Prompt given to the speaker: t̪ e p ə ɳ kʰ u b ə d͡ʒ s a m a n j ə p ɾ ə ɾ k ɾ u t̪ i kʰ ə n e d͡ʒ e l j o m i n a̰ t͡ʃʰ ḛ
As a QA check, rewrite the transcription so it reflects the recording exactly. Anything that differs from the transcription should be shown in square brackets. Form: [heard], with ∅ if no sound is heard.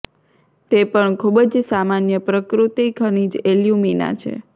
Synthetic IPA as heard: t̪ e p ə ɳ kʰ u b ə d͡ʒ s a m a n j ə p ɾ ə [∅] k ɾ u t̪ i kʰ ə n [i] d͡ʒ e l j [u] m i n a̰ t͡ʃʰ ḛ